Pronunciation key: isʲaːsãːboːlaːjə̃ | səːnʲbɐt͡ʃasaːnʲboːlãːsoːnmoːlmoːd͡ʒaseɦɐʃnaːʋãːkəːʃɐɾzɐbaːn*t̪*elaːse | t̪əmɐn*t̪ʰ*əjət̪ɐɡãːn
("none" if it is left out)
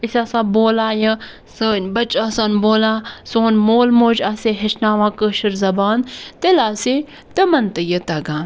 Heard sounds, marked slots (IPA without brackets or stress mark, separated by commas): t̪, t̪